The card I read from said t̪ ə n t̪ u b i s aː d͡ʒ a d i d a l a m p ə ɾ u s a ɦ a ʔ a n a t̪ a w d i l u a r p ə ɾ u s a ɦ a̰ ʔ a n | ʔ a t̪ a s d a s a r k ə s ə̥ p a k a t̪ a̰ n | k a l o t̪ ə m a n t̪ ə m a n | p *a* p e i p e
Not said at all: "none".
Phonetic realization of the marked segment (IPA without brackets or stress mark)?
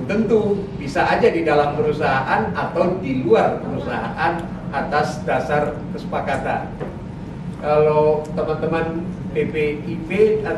e